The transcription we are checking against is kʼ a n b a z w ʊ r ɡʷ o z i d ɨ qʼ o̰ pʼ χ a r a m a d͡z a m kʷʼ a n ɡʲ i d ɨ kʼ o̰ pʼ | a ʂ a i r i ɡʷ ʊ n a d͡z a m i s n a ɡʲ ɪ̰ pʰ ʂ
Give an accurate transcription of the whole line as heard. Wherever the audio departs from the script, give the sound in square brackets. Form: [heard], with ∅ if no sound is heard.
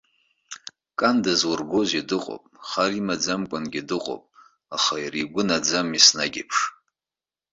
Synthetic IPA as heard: kʼ a n [d] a z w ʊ r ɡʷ o z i d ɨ qʼ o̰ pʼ χ a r [i] m a d͡z a m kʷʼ a n ɡʲ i d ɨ [qʼ] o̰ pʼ | a [χ] a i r i ɡʷ ʊ n a d͡z a m i s n a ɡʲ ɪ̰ pʰ ʂ

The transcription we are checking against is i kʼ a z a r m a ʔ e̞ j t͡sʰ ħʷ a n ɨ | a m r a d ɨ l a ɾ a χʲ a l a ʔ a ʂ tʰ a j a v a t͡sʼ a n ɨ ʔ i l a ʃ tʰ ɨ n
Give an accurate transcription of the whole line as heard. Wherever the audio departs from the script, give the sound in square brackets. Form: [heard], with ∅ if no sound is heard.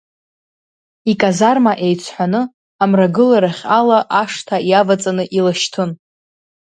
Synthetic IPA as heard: i kʼ a z a r m a ʔ e̞ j t͡sʰ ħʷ a n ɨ | a m r a [ɡ] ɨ l a ɾ a χʲ a l a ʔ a ʂ tʰ a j a v a t͡sʼ a n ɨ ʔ i l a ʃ tʰ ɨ n

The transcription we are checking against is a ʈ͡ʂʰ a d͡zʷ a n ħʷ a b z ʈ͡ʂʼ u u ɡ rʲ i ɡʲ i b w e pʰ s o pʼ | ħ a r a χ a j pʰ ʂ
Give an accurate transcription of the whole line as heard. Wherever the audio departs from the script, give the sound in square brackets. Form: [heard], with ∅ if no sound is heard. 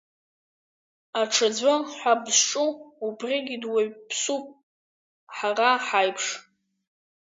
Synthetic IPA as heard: a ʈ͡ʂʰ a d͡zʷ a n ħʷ a b z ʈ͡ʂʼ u u [b] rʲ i ɡʲ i [d] w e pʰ s [u] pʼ | ħ a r a [ħ] a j pʰ ʂ

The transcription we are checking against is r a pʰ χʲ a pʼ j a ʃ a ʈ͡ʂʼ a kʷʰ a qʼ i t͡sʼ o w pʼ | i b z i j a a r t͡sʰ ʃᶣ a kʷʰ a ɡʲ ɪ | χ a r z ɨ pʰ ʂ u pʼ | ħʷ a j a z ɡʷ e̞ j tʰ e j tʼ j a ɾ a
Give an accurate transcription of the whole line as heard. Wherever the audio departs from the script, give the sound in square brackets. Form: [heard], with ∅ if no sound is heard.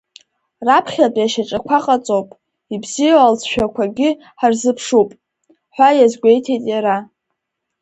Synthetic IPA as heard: r a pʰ χʲ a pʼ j a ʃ a ʈ͡ʂʼ a kʷʰ a qʼ [a] t͡sʼ o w pʼ | i b z i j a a [l] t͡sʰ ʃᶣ a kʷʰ a ɡʲ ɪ | [ħ] a r z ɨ pʰ ʂ u pʼ | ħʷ a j a z ɡʷ e̞ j tʰ e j tʼ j a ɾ a

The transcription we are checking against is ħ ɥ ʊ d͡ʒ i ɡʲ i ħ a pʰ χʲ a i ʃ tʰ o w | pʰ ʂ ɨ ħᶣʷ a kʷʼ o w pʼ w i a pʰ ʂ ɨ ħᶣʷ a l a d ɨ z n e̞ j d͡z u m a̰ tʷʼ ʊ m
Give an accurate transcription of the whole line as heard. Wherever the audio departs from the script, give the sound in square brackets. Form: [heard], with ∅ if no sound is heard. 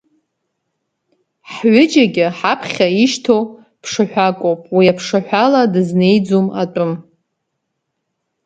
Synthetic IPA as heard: ħ ɥ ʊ d͡ʒ [a] ɡʲ [ɪ] ħ a pʰ χʲ a i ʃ tʰ o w | pʰ ʂ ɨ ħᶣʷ a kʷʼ o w pʼ w i a pʰ ʂ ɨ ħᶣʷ a l a d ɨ z n e̞ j d͡z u m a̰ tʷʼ ʊ m

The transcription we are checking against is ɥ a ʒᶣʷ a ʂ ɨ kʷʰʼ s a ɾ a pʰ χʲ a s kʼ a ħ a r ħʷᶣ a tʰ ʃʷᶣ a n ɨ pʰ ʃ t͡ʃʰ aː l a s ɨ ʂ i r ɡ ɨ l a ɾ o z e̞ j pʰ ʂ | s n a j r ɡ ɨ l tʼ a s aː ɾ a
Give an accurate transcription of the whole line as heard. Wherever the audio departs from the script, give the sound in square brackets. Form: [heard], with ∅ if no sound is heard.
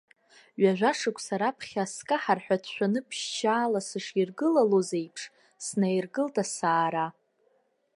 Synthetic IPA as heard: ɥ a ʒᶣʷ a ʂ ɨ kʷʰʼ s a ɾ a pʰ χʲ a s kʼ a ħ a r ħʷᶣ a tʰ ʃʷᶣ a n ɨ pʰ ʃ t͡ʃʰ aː l a s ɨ ʂ i r ɡ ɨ l a [l] o z e̞ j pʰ ʂ | s n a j r ɡ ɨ l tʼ a s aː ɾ a

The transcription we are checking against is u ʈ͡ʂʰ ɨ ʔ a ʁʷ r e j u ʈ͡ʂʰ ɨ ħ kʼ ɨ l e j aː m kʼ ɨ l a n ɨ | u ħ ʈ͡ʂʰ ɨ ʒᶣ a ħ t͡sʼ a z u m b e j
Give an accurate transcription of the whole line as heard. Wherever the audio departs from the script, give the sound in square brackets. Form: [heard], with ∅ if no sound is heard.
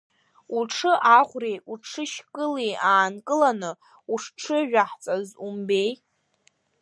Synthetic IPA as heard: u ʈ͡ʂʰ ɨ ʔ a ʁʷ r e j u ʈ͡ʂʰ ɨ [ʃ] kʼ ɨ l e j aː [n] kʼ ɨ l a n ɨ | u [ʂ] ʈ͡ʂʰ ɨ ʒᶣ a ħ t͡sʼ a z u m b e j

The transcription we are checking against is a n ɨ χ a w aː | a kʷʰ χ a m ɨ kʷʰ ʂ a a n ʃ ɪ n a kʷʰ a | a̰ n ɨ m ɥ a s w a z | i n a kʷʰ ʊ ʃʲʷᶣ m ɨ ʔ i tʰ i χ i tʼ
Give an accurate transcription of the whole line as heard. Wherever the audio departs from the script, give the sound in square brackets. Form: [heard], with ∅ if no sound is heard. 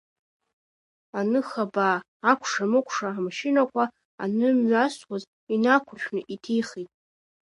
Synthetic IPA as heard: a n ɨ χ a [b] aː | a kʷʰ [ʂ] a m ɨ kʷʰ ʂ a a [m] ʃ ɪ n a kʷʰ a | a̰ n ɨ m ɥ a s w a z | i n a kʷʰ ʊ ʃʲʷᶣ [n] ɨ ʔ i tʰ i χ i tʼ

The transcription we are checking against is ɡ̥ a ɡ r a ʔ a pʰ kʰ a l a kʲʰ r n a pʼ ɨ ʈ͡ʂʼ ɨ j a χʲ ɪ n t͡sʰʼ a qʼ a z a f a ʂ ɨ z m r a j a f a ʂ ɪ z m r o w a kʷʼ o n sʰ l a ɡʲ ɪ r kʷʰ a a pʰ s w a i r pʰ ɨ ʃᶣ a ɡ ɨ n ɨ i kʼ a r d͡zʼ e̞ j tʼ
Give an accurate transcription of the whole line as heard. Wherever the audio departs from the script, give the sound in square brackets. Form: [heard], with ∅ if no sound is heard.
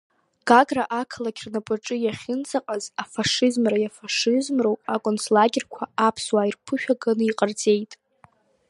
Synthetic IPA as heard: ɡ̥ a ɡ r a ʔ a [∅] kʰ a l a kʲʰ r n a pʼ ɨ ʈ͡ʂʼ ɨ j a χʲ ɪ n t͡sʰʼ a qʼ a z a f a ʂ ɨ z m r a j a f a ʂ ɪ z m r o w a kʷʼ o n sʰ l a ɡʲ ɪ r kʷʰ a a pʰ s w a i r pʰ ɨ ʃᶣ a ɡ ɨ n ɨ i [qʼ] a r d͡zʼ e̞ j tʼ

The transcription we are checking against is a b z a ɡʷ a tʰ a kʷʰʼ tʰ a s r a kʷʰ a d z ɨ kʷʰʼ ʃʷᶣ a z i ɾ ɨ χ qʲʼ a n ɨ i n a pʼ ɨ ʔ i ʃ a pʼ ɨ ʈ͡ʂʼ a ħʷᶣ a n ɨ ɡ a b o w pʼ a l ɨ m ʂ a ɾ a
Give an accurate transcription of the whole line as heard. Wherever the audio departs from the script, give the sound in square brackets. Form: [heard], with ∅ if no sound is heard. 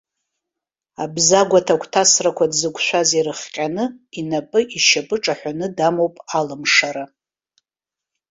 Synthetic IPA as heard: a b z a ɡʷ a tʰ a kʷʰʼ tʰ a s r a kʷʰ a d z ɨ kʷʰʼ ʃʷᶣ a z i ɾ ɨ χ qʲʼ a n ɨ i n a pʼ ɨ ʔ i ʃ a pʼ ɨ ʈ͡ʂʼ a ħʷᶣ a n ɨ [d] a [m] o w pʼ a l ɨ m ʂ a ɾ a

